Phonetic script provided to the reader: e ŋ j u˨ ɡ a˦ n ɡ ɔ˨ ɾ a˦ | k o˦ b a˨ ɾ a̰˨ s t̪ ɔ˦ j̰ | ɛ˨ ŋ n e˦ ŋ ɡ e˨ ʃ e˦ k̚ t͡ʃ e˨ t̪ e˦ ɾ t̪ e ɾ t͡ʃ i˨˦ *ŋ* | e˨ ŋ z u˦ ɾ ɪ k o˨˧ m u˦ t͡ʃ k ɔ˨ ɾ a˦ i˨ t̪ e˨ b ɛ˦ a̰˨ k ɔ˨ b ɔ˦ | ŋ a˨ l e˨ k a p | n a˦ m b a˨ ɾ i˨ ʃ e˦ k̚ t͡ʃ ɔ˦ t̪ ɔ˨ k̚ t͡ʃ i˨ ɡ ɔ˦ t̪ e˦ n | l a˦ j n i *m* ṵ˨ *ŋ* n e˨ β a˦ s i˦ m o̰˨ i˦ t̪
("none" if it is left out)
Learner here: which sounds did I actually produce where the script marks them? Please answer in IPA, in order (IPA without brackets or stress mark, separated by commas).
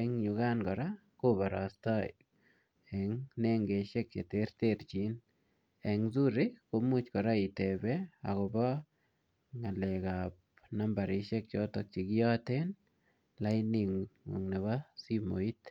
n, ŋ, ŋ